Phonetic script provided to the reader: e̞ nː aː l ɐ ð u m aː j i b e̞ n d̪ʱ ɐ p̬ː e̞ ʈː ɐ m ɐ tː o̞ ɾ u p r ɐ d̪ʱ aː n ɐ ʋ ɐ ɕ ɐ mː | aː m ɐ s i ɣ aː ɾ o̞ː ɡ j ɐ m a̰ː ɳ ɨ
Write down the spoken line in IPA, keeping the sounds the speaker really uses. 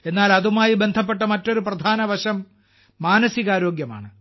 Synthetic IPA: e̞ nː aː l ɐ ð u m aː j i b e̞ n d̪ʱ ɐ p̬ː e̞ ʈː ɐ m ɐ tː o̞ ɾ u p r ɐ d̪ʱ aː n ɐ ʋ ɐ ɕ ɐ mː | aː n ɐ s i ɣ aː ɾ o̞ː ɡ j ɐ m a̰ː ɳ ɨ